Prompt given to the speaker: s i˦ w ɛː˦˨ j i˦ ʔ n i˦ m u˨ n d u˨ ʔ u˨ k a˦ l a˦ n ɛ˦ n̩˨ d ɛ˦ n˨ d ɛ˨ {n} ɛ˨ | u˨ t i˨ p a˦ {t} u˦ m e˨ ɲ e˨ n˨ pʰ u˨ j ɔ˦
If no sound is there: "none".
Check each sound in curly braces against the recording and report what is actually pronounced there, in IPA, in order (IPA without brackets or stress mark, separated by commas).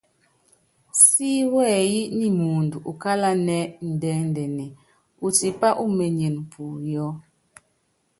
n, ʔ